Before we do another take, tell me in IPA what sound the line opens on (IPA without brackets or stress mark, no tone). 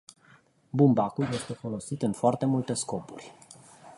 b